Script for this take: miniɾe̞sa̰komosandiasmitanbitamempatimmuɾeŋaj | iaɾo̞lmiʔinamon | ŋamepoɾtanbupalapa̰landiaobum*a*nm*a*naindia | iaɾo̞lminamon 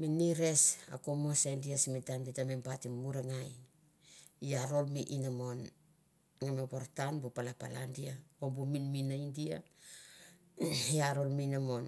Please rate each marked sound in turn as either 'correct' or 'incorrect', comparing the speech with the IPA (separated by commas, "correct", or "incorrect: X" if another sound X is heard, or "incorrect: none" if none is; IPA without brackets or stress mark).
incorrect: i, incorrect: i